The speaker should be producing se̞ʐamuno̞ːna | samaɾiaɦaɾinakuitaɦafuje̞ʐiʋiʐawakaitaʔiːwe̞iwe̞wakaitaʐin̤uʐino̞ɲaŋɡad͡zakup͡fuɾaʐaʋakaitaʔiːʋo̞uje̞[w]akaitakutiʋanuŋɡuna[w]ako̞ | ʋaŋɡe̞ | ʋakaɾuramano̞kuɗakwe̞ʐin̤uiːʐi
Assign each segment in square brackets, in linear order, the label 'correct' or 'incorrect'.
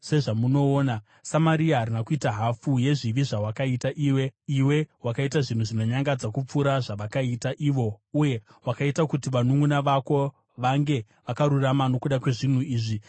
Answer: correct, incorrect

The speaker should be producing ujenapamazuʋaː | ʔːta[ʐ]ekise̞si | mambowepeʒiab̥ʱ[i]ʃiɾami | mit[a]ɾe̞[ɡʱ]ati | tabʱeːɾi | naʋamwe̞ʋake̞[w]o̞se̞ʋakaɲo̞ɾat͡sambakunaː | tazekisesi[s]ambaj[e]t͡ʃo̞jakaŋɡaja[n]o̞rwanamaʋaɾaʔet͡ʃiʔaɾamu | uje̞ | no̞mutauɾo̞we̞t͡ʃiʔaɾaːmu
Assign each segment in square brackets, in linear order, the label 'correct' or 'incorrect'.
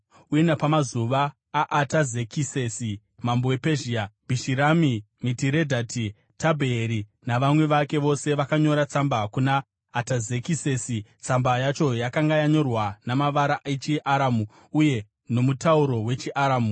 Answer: incorrect, correct, incorrect, incorrect, incorrect, incorrect, incorrect, incorrect

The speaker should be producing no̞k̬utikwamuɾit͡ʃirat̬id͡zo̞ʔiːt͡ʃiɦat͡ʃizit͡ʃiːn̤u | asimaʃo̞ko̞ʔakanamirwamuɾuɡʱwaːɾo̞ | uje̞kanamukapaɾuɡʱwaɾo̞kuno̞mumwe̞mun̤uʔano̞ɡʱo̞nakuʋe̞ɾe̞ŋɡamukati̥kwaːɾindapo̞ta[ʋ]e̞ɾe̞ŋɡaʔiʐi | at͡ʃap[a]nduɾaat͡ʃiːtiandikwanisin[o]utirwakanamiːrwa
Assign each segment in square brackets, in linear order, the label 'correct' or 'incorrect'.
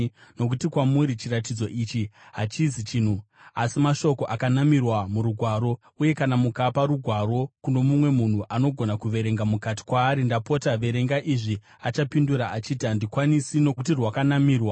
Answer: correct, incorrect, correct

